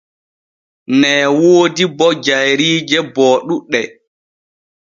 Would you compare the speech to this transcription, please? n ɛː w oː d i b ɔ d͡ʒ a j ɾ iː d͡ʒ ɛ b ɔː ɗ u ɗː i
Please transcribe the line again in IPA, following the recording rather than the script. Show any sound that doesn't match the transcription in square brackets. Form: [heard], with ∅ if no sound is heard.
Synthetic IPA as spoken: n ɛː w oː d i b ɔ d͡ʒ a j ɾ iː d͡ʒ ɛ b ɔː ɗ u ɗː [ɛ]